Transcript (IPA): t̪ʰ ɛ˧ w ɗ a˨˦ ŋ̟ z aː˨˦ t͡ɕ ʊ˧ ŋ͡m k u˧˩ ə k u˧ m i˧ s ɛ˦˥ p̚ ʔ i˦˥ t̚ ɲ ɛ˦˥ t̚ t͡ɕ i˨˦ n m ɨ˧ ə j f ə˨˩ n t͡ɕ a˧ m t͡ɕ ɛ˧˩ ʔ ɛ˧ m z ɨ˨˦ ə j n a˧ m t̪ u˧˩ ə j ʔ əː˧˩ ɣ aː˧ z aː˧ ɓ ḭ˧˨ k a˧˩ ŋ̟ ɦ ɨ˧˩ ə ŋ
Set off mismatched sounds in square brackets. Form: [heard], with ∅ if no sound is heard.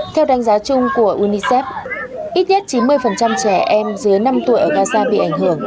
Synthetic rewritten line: t̪ʰ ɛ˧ w ɗ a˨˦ ŋ̟ z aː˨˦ t͡ɕ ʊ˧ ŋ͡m k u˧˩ ə [ʔ] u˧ [n] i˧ s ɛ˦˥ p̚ ʔ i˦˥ t̚ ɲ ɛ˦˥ t̚ t͡ɕ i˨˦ n m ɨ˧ ə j f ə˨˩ n t͡ɕ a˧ m t͡ɕ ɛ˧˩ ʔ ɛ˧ m z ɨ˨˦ ə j n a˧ m t̪ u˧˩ ə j ʔ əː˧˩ ɣ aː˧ z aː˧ ɓ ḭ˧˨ [ʔ] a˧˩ ŋ̟ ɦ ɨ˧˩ ə ŋ